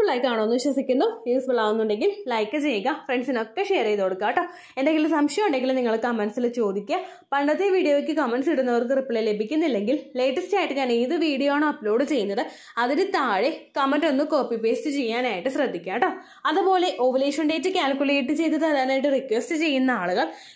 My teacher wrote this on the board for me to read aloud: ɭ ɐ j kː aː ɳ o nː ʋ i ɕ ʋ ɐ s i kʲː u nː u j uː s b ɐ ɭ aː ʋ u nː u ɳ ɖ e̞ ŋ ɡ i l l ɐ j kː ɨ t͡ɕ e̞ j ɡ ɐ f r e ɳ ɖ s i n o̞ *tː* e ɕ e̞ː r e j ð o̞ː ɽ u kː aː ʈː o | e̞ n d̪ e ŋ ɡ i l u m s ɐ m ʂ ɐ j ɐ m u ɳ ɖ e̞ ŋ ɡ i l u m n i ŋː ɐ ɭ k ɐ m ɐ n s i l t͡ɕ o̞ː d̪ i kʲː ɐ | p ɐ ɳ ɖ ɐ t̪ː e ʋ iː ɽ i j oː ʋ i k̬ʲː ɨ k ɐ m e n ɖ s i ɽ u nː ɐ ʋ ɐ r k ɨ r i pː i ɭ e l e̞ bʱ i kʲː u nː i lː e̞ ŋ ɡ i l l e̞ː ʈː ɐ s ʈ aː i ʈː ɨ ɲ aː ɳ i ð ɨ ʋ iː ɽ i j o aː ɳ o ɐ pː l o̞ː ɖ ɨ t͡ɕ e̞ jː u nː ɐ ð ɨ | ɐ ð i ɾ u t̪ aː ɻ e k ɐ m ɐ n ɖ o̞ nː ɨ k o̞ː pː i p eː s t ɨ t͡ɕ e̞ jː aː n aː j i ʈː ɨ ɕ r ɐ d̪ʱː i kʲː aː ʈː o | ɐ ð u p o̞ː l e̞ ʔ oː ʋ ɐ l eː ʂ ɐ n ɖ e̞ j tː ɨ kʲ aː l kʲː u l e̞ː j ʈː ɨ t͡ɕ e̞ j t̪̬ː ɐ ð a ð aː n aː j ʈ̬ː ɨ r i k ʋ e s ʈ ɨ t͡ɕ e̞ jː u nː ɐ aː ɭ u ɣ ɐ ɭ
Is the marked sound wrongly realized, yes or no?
yes